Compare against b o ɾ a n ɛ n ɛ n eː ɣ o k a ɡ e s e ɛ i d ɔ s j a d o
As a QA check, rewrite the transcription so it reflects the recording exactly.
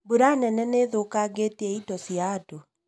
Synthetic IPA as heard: b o ɾ a n ɛ n ɛ n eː ð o k a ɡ e t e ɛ i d ɔ s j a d o